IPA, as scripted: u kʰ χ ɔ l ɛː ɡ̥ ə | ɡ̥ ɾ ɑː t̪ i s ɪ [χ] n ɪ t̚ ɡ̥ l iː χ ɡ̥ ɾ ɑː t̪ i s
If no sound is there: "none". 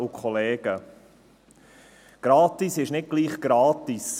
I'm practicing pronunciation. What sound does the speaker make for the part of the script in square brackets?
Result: ʃ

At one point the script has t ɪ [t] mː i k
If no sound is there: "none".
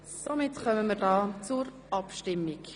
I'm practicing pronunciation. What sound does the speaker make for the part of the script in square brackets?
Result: none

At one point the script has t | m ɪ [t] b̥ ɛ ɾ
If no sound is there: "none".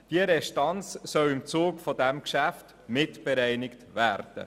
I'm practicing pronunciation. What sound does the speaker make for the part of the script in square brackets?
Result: t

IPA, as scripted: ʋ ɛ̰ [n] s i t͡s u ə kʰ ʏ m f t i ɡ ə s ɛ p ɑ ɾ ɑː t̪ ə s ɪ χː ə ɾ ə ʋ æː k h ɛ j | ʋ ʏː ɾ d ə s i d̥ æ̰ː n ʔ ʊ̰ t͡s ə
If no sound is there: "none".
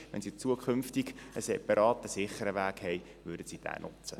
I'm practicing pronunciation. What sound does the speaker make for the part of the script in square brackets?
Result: n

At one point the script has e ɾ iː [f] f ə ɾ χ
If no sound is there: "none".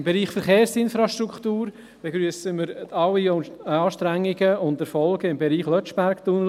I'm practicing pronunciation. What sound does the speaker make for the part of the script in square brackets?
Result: χ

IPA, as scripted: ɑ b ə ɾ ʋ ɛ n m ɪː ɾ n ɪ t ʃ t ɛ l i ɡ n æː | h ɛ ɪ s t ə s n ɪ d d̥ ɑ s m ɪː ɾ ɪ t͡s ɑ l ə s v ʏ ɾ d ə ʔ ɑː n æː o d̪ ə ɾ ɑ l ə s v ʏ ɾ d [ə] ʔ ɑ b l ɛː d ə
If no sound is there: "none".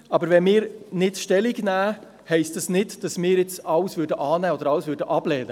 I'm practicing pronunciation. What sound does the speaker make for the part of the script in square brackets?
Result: ə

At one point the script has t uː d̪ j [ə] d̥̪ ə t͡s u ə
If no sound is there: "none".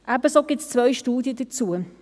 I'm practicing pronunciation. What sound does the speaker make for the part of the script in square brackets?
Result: ə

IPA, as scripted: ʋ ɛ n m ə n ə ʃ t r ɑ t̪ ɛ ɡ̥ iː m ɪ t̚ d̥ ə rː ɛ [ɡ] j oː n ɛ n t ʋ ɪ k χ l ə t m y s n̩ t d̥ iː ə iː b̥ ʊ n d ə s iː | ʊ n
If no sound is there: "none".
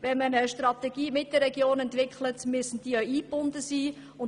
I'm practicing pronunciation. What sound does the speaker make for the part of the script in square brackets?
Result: ɡ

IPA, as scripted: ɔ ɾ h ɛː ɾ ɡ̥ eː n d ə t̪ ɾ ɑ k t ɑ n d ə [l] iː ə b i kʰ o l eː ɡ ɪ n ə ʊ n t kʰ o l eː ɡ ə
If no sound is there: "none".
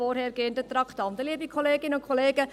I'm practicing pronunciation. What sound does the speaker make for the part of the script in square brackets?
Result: l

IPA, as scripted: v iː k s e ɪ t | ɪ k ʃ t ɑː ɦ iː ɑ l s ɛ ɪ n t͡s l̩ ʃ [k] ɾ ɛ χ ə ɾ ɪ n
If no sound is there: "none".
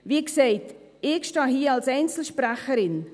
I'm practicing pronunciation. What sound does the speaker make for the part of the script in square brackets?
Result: p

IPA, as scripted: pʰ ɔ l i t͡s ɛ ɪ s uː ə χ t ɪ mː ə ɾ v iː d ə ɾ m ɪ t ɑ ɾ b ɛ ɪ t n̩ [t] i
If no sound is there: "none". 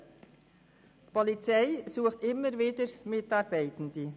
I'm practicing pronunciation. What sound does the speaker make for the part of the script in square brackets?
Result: d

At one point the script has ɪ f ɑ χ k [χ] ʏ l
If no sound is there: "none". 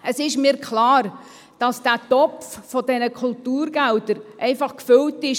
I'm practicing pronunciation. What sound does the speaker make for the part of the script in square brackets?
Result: f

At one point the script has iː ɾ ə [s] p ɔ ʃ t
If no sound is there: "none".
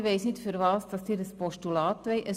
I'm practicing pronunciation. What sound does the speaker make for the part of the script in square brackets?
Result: s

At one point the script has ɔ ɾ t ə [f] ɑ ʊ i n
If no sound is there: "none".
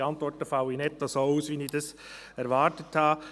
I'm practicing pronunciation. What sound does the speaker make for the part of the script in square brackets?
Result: f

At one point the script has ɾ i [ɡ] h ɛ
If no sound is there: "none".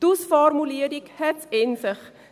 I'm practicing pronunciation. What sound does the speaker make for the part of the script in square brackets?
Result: k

